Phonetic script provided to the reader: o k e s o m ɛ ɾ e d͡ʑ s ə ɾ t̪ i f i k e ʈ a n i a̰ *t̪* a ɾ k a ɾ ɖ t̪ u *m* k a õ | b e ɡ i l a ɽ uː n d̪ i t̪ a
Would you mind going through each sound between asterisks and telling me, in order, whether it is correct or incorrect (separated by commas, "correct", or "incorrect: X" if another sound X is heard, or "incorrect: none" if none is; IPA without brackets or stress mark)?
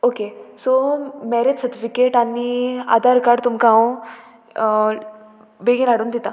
incorrect: d̪, correct